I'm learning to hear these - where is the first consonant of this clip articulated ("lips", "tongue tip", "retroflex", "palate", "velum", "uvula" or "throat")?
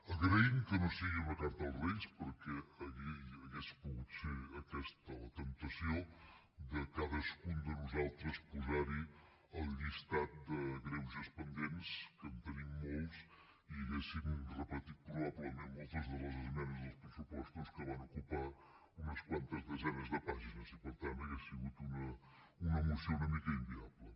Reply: velum